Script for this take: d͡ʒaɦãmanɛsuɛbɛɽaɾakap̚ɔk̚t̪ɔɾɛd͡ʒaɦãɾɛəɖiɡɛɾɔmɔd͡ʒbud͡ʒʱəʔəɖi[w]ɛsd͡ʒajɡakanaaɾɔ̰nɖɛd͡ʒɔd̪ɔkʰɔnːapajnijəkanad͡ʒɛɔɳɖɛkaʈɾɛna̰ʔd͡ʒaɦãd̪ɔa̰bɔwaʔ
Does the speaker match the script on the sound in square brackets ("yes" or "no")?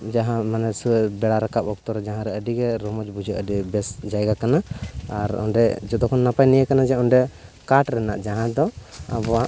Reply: no